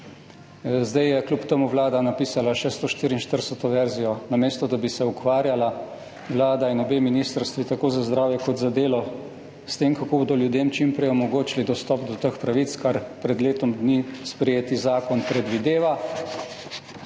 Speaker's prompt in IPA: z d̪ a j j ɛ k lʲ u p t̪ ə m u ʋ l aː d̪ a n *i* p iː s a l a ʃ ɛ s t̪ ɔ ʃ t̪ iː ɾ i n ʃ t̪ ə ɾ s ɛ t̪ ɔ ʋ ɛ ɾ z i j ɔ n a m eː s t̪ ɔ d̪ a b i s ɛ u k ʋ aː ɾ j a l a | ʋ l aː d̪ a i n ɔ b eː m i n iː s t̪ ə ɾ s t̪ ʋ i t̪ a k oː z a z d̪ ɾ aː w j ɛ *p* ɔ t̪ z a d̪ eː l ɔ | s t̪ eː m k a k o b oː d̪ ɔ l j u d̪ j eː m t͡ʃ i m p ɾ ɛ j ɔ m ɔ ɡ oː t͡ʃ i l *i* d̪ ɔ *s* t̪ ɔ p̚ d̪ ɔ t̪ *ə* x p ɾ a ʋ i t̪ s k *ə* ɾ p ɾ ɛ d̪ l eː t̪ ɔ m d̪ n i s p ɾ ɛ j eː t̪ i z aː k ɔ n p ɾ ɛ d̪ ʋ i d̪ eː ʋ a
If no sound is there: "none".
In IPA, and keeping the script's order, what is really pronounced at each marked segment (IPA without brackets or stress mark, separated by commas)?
a, k, i, s, ə, a